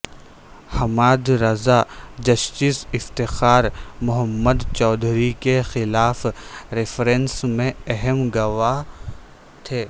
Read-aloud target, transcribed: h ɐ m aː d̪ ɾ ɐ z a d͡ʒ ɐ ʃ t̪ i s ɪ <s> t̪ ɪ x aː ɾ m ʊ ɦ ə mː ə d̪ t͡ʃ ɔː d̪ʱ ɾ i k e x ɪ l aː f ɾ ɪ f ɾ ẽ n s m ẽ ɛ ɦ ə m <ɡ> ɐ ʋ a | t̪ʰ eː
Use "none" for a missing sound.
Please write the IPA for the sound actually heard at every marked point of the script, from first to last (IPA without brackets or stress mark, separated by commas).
f, ɡ